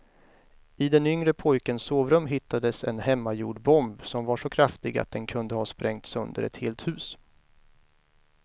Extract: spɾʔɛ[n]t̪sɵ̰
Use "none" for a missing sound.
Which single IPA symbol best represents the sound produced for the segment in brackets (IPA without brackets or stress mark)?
ŋ